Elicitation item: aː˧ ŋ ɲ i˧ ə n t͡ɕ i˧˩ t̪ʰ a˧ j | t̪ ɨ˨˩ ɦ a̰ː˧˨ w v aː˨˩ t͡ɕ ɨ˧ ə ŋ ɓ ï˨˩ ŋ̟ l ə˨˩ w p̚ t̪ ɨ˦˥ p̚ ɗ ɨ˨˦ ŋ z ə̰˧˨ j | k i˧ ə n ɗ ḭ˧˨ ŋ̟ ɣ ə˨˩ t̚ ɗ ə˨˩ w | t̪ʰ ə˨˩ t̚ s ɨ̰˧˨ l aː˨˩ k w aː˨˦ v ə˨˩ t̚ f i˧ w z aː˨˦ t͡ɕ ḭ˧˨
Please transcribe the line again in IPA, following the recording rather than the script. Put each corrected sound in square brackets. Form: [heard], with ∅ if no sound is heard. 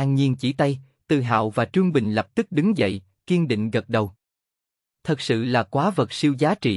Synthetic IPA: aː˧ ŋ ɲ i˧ ə n t͡ɕ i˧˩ [t̪] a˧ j | t̪ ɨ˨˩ ɦ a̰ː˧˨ w v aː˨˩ t͡ɕ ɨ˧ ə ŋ ɓ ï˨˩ ŋ̟ l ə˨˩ [∅] p̚ t̪ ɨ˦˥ [k̚] ɗ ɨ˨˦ ŋ z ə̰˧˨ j | k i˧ ə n ɗ ḭ˧˨ ŋ̟ ɣ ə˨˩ t̚ ɗ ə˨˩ w | t̪ʰ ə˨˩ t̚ s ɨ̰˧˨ l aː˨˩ k w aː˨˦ v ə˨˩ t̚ [s] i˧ w z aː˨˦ t͡ɕ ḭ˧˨